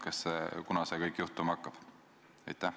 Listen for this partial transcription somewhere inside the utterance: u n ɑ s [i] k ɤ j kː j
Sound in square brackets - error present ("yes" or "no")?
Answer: yes